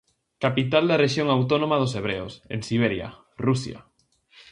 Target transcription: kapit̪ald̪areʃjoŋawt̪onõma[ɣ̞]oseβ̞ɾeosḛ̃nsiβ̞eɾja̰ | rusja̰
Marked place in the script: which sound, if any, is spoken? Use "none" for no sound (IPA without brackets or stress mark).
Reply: ð̞